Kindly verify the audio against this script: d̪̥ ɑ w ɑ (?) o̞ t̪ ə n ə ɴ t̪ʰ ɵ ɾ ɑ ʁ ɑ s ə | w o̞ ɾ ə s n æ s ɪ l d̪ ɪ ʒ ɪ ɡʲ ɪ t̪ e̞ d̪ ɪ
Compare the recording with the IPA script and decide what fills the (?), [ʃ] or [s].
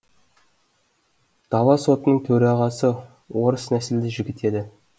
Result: s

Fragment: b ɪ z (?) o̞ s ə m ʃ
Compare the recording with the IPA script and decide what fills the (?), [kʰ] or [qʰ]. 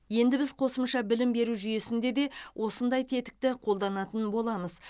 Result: qʰ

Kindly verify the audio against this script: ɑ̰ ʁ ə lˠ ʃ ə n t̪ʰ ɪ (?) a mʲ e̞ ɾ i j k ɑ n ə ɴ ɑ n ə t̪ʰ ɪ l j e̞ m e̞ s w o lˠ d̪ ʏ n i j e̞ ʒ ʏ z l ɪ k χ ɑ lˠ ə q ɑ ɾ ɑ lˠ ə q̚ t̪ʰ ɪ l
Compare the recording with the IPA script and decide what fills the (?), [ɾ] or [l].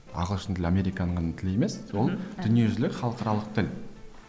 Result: l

